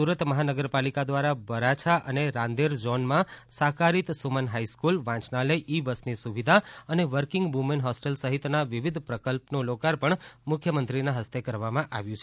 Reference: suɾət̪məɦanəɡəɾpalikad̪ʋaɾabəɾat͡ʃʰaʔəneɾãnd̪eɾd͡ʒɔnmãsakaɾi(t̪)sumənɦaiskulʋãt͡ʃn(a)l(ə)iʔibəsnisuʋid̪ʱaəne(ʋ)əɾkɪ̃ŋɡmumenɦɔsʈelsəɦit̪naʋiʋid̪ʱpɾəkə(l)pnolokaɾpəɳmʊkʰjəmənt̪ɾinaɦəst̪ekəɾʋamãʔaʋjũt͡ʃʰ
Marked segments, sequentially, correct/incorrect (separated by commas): correct, correct, correct, correct, correct